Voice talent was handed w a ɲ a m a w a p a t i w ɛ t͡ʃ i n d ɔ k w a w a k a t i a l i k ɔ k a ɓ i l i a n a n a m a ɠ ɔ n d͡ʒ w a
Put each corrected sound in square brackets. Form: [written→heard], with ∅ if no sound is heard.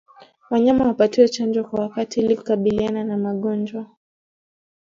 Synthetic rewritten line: w a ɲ a m a w a p a t i w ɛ t͡ʃ [i→a] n [d→d͡ʒ] ɔ k w a w a k a t i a l i k [ɔ→u] k a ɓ i l i a n a n a m a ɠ ɔ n d͡ʒ w a